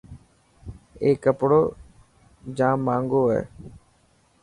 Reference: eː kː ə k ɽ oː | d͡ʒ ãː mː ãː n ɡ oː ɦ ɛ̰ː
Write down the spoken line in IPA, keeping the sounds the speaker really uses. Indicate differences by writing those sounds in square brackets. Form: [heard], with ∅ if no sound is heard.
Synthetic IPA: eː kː ə [p] ɽ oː | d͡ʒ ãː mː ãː [ŋ] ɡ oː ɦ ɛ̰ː